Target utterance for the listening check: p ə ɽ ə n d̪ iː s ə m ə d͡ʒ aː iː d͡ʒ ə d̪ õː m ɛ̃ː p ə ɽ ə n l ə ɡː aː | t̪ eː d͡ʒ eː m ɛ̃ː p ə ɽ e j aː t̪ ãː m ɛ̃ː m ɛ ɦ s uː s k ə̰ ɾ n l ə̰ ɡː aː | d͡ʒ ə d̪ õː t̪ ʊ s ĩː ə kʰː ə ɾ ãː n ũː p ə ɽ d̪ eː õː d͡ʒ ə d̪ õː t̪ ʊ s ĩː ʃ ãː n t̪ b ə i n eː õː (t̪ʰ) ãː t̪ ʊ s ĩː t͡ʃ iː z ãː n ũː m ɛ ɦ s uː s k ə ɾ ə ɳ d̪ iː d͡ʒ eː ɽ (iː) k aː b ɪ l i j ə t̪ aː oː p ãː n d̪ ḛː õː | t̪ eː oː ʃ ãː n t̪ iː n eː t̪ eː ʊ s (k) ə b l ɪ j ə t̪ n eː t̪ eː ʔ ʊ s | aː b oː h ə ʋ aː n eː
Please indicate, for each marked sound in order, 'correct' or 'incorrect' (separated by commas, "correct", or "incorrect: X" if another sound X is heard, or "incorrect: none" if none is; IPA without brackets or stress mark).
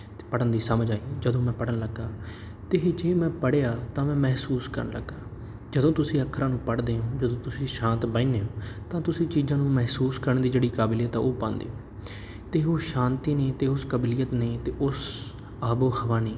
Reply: incorrect: t̪, correct, correct